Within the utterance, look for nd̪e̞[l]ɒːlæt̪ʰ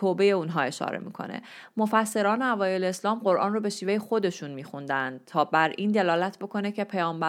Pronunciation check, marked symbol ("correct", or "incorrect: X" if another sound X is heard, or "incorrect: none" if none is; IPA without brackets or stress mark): correct